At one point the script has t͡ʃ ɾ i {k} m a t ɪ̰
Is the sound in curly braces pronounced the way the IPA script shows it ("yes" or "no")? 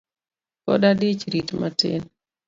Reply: no